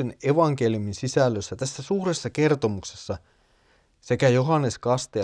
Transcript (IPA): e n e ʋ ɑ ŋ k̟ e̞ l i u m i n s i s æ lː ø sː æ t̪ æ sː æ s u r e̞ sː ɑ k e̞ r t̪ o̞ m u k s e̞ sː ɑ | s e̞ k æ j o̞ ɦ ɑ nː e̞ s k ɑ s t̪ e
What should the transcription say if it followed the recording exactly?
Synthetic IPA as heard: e n e ʋ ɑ ŋ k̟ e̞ l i u m i n s i s æ lː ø sː æ t̪ æ sː æ s uː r e̞ sː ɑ k e̞ r t̪ o̞ m u k s e̞ sː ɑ | s e̞ k æ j o̞ ɦ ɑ nː e̞ s k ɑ s t̪ e